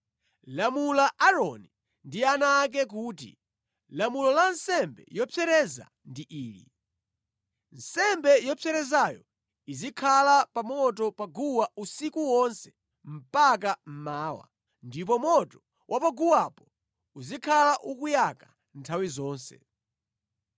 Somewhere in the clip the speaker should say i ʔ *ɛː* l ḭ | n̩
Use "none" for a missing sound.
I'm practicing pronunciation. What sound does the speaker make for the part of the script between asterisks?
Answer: iː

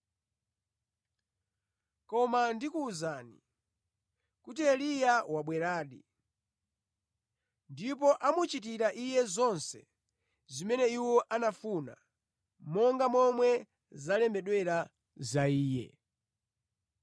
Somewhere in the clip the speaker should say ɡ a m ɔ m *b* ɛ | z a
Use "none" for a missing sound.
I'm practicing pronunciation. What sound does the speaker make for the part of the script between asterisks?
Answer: w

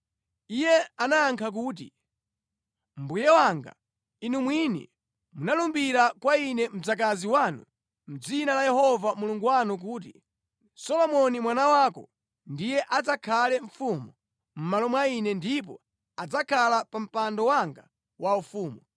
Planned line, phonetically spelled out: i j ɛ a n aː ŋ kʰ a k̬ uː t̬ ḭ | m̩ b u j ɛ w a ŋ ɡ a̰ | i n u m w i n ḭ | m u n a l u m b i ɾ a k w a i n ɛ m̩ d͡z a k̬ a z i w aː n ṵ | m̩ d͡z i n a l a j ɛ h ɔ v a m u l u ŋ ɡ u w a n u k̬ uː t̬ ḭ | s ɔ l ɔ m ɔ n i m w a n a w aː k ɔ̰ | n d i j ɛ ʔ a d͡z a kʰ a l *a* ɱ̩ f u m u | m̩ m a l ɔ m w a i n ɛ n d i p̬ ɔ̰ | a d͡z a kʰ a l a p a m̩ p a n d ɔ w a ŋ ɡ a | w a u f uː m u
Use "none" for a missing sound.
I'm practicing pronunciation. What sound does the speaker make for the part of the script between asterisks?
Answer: ɛ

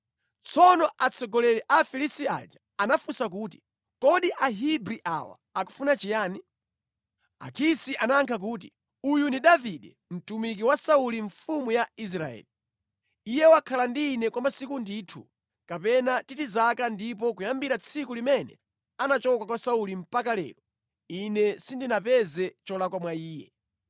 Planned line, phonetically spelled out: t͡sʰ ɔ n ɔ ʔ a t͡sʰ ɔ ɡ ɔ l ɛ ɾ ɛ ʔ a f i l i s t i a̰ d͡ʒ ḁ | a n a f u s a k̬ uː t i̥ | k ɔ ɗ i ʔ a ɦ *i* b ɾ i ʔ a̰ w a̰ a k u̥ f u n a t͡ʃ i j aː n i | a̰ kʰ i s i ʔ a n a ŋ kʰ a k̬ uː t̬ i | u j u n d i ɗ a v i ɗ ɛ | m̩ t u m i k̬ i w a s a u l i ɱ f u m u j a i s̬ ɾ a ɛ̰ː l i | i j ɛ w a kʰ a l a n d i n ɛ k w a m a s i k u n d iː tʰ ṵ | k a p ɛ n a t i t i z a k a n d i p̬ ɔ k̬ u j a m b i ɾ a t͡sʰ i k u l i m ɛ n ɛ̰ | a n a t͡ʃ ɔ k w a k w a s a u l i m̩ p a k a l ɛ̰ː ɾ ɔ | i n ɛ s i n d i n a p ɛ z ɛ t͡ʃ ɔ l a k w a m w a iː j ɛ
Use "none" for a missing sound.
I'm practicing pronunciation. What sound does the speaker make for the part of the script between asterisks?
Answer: i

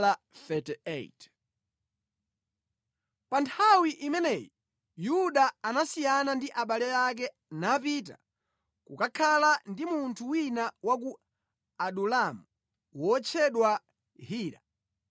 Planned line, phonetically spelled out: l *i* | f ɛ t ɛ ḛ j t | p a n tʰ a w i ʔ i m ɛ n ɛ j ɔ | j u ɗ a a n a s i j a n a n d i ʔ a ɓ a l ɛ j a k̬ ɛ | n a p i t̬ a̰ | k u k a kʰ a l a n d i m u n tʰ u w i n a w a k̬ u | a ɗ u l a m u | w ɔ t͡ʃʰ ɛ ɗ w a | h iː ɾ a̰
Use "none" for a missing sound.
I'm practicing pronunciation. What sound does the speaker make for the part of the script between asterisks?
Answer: a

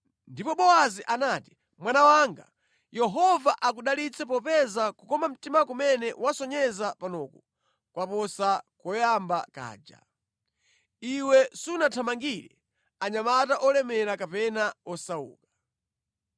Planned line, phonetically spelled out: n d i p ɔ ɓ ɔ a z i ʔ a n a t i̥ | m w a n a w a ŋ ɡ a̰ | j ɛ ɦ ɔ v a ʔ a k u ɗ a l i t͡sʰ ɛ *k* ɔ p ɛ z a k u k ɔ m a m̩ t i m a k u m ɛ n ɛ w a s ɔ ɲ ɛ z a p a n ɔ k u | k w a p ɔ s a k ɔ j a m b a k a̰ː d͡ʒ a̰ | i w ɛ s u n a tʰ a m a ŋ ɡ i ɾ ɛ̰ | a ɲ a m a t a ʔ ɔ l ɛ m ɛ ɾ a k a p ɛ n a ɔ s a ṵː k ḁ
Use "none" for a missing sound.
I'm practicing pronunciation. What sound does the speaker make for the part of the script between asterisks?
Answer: p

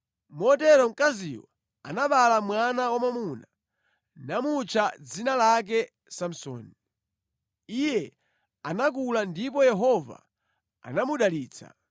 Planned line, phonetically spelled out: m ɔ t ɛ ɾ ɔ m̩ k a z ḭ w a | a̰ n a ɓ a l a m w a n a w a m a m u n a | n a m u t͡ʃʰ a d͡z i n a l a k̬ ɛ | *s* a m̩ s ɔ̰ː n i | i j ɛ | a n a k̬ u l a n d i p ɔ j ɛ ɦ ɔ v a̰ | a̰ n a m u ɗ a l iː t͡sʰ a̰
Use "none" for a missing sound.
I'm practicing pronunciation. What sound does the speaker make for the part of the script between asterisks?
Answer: s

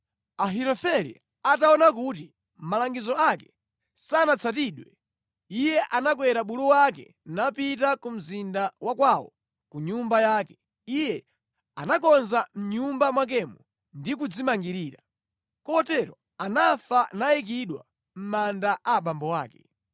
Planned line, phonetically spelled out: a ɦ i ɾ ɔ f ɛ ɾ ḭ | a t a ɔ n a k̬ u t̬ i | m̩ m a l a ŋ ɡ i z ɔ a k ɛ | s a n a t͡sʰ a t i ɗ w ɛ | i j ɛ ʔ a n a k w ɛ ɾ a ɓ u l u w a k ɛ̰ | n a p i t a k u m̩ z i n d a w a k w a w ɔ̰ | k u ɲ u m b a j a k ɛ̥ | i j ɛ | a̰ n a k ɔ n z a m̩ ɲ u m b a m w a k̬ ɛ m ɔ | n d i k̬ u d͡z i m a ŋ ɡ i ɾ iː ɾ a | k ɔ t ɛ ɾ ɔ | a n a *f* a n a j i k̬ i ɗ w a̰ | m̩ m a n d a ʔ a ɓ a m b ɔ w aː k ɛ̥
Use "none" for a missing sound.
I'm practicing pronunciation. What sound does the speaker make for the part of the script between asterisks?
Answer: f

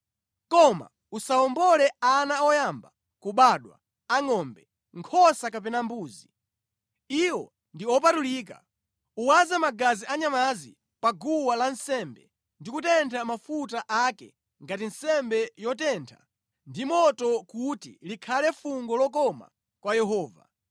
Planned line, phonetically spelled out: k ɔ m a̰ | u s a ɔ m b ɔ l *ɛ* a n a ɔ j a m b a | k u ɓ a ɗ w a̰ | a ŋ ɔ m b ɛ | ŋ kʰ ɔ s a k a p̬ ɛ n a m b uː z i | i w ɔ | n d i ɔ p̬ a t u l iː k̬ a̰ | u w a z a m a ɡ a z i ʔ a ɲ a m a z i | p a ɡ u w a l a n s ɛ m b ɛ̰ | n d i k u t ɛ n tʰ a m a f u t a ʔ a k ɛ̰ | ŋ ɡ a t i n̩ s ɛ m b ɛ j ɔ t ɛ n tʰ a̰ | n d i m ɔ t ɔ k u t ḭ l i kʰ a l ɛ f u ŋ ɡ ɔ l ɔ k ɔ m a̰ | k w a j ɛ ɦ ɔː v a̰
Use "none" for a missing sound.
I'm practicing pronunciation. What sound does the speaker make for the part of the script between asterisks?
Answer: ɛ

